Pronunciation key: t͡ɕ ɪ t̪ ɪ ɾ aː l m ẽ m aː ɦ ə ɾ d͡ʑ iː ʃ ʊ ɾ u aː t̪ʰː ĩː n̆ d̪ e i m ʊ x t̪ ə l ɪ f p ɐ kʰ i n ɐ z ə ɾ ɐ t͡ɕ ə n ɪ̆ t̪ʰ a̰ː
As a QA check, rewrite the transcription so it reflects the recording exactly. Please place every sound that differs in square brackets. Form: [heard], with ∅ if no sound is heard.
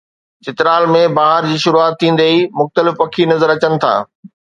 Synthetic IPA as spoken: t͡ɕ ɪ t̪ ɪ ɾ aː l m ẽ [b] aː ɦ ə ɾ d͡ʑ iː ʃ ʊ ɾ u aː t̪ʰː ĩː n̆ d̪ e i m ʊ x t̪ ə l ɪ f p ɐ kʰ i n ɐ z ə ɾ ɐ t͡ɕ ə n ɪ̆ t̪ʰ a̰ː